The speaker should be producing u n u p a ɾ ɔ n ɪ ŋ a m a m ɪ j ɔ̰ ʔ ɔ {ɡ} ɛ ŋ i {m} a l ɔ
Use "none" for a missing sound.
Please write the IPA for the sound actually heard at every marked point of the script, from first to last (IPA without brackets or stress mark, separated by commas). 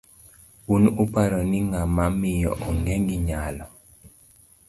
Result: ŋ, ɲ